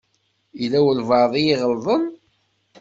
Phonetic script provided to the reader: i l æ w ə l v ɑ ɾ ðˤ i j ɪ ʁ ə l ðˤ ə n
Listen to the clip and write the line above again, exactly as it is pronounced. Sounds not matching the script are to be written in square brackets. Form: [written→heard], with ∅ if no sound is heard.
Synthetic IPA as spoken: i l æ w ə l v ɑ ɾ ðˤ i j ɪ ʁ ə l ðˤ ə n